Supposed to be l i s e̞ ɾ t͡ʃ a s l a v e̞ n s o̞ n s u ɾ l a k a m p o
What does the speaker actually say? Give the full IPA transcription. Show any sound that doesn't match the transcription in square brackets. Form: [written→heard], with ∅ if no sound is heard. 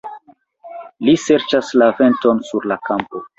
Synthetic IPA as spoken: l i s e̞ ɾ t͡ʃ a s l a v e̞ n [s→t] o̞ n s u ɾ l a k a m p o